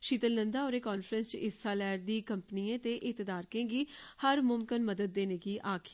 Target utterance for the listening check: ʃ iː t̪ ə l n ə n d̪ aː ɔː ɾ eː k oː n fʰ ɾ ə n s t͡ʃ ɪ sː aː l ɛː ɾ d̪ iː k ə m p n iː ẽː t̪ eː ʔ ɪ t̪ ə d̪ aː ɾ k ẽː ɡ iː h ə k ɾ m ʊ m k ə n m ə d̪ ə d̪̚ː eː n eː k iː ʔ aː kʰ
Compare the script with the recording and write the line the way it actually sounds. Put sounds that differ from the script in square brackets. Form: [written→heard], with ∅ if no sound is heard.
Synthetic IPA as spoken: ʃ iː t̪ ə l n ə n d̪ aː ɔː ɾ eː k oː n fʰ ɾ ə n s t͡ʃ ɪ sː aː l ɛː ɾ d̪ iː k ə m p n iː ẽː t̪ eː ʔ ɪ t̪ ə d̪ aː ɾ k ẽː ɡ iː h ə [k→∅] ɾ m ʊ m k ə n m ə d̪ ə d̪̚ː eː n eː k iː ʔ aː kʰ

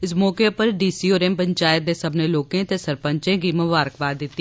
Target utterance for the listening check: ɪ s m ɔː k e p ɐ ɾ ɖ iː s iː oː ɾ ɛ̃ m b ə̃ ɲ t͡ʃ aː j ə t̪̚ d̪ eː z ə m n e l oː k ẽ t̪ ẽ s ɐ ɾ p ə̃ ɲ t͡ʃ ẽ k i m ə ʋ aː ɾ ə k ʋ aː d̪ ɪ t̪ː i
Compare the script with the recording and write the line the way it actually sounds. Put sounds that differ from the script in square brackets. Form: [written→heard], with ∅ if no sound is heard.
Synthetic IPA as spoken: ɪ s m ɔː k e p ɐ ɾ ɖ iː s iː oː ɾ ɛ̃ m [b→p] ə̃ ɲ t͡ʃ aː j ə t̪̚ d̪ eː [z→s] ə [m→b] n e l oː k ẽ t̪ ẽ s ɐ ɾ p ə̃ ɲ t͡ʃ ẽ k i m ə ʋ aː ɾ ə k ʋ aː d̪ ɪ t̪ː i

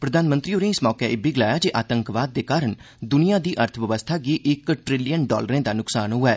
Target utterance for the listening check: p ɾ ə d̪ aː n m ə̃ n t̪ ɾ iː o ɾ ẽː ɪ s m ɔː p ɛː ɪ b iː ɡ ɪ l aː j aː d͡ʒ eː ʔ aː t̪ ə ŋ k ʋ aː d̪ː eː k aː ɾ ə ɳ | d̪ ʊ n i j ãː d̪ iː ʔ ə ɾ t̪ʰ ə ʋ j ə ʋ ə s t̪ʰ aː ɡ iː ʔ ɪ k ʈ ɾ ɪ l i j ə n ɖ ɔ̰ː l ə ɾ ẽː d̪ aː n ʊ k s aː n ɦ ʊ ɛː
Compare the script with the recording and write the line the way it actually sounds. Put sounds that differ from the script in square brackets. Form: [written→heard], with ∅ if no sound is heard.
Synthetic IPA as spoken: p ɾ ə d̪ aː n m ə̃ n t̪ ɾ iː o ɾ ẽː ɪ s m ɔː [p→k] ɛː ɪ b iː ɡ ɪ l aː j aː d͡ʒ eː ʔ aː t̪ ə ŋ k ʋ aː d̪ː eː k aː ɾ ə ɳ | d̪ ʊ n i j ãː d̪ iː ʔ ə ɾ t̪ʰ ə ʋ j ə ʋ ə s t̪ʰ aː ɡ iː ʔ ɪ k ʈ ɾ ɪ l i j ə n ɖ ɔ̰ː l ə ɾ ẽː d̪ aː n ʊ k s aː n ɦ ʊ ɛː

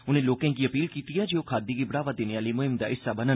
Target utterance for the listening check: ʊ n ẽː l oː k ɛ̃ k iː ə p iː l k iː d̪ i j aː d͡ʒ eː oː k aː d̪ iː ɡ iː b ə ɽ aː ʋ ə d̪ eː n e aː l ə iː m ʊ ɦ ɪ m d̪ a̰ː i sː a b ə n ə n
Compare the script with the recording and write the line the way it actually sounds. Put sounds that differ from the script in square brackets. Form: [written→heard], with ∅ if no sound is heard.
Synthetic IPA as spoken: ʊ n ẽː l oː k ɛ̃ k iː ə p iː l k iː [d̪→t̪] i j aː d͡ʒ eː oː [k→kʰ] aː d̪ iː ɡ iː b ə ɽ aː ʋ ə d̪ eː n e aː l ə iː m ʊ ɦ ɪ m d̪ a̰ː [i→ɪ] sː a b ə n ə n

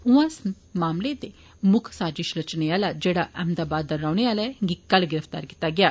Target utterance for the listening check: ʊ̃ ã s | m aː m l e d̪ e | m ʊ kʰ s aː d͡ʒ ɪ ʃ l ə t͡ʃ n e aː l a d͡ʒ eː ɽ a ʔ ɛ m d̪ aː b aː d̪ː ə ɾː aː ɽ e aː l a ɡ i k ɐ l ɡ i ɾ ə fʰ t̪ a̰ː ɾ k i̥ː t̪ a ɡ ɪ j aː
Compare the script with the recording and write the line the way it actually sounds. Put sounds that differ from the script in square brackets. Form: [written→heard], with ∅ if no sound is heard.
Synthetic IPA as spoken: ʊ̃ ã s | m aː m l e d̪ e | m ʊ kʰ s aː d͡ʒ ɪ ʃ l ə t͡ʃ n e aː l a d͡ʒ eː ɽ a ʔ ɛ m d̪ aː b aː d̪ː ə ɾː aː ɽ e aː l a ɡ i k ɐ l ɡ [i→ɪ] ɾ ə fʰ t̪ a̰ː ɾ k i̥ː t̪ a ɡ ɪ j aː

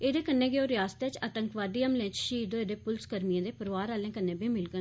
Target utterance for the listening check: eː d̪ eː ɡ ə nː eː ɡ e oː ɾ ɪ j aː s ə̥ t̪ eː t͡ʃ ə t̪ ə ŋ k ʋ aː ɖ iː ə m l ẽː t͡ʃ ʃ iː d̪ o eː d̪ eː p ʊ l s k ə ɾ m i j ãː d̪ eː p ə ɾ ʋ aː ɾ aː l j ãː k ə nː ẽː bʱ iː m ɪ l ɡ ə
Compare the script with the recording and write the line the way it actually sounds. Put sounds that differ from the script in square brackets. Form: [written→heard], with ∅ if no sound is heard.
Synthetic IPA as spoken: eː d̪ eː [ɡ→k] ə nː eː ɡ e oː ɾ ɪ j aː s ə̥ t̪ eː t͡ʃ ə t̪ ə ŋ k ʋ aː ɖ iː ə m l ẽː t͡ʃ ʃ iː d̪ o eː d̪ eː p ʊ l s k ə ɾ m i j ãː d̪ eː p ə ɾ ʋ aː ɾ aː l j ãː k ə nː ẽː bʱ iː m ɪ l ɡ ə

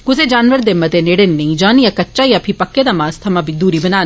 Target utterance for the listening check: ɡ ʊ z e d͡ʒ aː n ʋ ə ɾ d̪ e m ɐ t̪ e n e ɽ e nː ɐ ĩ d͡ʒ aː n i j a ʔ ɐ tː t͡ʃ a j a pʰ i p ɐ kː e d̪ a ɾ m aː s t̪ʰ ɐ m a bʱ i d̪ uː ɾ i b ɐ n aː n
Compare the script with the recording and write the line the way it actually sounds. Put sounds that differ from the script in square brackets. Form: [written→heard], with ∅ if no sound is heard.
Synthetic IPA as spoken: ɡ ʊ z e d͡ʒ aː n ʋ ə ɾ d̪ e m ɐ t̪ e n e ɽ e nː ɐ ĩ d͡ʒ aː n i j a [ʔ→k] ɐ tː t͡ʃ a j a pʰ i p ɐ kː e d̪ a [ɾ→∅] m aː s t̪ʰ ɐ m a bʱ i d̪ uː ɾ i b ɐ n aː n

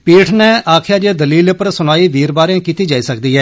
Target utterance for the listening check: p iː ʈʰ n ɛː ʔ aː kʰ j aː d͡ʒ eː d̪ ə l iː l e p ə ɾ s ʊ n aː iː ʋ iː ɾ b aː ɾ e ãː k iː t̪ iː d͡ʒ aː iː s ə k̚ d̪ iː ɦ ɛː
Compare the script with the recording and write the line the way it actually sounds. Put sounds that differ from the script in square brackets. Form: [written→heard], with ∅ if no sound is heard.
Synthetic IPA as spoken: p iː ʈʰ n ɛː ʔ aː kʰ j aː d͡ʒ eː d̪ ə l iː l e p ə ɾ s ʊ n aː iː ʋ iː ɾ b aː ɾ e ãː k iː t̪ iː d͡ʒ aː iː s ə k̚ d̪ iː ɦ ɛː

